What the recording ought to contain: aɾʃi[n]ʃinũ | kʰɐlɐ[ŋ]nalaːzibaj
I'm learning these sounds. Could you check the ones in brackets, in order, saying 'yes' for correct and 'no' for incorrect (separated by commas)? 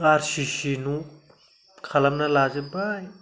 no, no